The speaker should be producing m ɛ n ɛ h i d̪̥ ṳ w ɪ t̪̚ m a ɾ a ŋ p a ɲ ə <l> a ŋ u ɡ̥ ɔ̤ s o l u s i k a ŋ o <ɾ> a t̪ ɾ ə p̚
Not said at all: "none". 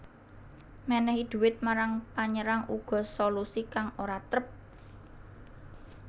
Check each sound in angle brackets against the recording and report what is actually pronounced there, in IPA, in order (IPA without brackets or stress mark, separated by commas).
ɾ, ɾ